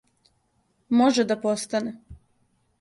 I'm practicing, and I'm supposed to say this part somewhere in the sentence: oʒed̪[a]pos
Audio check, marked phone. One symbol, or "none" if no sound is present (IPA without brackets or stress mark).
a